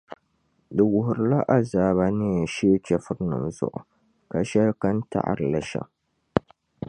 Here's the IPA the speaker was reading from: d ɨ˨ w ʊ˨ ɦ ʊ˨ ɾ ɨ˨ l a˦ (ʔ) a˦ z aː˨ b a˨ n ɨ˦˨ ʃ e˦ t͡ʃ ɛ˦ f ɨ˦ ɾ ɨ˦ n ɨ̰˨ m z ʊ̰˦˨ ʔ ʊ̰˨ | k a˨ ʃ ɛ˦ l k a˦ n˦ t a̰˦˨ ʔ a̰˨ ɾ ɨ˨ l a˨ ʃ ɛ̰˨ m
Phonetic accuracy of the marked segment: correct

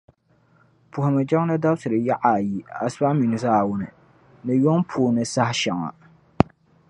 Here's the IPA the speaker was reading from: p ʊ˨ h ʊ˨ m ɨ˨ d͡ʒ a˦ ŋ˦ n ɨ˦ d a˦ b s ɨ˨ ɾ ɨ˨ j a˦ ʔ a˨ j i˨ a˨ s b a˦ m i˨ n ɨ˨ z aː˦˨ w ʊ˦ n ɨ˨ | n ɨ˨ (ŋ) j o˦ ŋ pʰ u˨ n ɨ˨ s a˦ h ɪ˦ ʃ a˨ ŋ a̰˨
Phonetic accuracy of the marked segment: incorrect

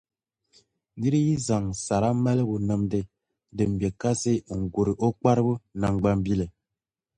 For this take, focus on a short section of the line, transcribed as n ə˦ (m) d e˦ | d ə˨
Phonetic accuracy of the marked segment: correct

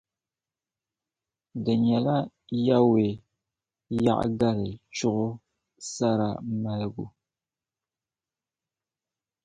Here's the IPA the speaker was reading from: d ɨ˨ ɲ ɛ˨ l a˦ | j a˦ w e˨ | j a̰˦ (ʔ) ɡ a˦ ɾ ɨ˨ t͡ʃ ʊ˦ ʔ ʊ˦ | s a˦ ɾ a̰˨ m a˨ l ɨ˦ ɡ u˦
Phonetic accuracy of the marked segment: correct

